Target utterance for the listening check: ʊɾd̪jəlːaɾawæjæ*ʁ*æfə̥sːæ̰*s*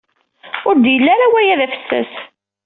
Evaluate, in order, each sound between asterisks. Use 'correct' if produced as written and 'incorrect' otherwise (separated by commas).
incorrect, correct